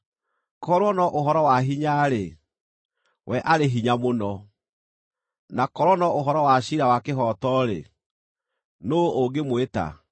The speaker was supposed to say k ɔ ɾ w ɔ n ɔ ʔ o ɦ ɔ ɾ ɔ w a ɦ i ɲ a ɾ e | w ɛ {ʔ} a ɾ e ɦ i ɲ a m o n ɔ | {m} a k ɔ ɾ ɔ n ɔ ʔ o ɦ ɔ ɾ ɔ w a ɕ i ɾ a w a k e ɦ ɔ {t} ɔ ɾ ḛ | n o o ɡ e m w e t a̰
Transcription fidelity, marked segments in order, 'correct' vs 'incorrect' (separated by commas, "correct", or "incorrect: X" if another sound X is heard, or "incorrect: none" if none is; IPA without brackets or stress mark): correct, incorrect: n, correct